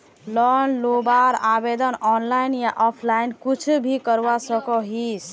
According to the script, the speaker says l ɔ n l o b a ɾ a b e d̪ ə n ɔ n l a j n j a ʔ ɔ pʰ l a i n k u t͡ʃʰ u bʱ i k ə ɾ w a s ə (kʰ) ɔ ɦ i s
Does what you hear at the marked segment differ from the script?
yes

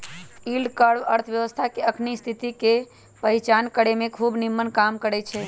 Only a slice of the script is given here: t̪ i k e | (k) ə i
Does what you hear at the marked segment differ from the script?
yes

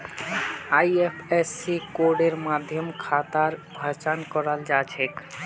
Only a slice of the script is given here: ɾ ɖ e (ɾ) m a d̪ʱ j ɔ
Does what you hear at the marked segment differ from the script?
no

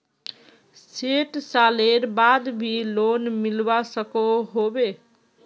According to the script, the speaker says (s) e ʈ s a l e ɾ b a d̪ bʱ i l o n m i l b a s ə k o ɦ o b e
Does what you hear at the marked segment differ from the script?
no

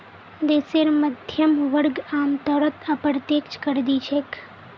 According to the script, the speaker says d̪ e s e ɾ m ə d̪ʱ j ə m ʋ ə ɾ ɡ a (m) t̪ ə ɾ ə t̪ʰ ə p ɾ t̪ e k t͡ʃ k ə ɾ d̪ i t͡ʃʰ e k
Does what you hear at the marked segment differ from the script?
no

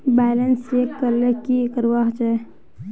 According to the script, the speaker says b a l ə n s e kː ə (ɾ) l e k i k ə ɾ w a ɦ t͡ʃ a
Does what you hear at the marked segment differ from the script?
no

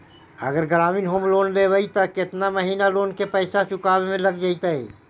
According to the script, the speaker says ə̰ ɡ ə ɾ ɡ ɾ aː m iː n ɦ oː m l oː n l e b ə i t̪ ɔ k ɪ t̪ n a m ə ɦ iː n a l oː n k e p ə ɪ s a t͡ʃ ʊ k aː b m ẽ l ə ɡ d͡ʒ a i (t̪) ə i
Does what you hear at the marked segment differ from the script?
no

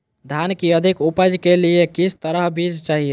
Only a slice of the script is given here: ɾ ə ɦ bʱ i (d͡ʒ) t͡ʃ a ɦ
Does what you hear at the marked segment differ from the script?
no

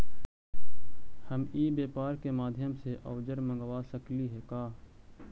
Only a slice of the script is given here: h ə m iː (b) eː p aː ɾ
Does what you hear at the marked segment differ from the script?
no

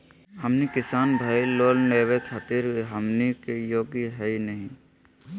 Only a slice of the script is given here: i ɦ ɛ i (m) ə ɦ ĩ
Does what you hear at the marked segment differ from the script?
yes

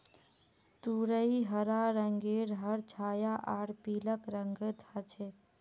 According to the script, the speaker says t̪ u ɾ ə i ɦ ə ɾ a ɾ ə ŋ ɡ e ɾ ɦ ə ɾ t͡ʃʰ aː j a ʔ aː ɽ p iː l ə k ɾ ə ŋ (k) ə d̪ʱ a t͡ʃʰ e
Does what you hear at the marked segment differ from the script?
yes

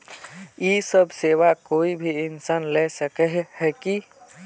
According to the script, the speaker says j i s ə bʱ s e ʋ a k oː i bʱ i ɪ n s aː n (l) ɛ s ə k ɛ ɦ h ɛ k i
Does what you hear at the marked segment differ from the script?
no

